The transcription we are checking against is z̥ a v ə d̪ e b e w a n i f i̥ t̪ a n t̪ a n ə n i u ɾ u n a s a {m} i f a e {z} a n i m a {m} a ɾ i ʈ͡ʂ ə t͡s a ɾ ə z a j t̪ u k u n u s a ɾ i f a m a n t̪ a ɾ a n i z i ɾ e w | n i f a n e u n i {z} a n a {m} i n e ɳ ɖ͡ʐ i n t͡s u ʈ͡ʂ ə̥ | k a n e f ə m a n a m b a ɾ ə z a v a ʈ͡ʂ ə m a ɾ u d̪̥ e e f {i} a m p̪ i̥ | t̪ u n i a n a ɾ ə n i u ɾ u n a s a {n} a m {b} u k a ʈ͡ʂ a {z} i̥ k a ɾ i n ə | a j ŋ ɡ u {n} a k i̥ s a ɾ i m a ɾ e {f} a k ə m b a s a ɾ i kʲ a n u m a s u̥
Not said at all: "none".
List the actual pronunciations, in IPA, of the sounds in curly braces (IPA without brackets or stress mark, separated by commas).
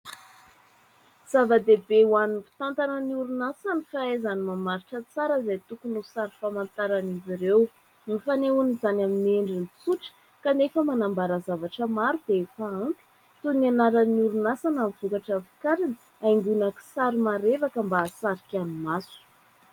n, z, m, z, m, a, n, v, v, n, v